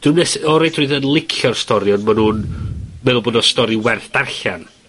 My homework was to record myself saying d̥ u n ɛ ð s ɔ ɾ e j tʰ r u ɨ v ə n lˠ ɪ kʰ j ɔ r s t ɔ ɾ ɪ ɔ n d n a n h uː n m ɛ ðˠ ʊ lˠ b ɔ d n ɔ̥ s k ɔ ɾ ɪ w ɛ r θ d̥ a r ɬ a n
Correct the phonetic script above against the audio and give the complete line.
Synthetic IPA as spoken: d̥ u n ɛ s ɔ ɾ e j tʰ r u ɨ ð ə n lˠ ɪ kʰ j ɔ r s t ɔ ɾ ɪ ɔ n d m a n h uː n m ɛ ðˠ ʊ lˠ b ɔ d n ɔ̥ s t ɔ ɾ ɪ w ɛ r θ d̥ a r ɬ a n